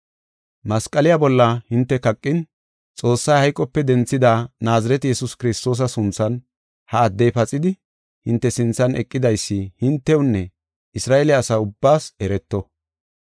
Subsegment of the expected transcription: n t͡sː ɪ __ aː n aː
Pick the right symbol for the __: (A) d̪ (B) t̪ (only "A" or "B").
A